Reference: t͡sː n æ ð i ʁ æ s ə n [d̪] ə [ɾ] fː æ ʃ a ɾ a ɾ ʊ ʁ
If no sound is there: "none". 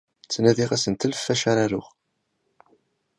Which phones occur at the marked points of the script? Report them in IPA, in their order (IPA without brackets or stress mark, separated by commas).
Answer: t̪, l